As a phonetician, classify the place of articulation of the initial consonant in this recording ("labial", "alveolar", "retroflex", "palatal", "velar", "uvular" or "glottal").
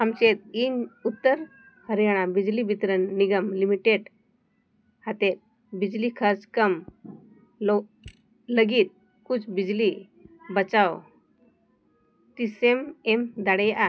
labial